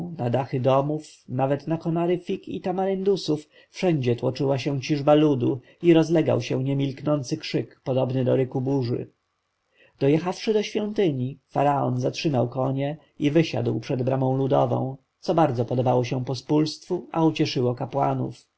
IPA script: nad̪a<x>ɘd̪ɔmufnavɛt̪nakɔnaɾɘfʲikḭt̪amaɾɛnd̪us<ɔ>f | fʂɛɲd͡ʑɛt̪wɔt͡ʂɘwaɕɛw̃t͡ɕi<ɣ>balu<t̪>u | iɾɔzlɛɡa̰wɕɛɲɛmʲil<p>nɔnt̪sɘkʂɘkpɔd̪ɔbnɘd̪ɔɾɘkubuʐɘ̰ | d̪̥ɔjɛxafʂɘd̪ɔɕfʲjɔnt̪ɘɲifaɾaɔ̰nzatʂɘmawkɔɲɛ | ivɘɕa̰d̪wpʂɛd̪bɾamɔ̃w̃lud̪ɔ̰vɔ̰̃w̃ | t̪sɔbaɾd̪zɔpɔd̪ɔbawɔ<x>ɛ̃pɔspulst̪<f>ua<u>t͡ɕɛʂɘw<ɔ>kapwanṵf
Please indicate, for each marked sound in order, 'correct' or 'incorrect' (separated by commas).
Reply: correct, incorrect, incorrect, incorrect, incorrect, incorrect, correct, correct, correct